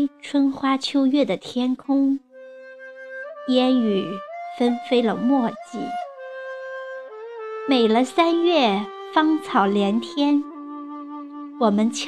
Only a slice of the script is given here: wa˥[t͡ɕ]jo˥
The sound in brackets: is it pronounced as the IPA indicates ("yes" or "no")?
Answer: no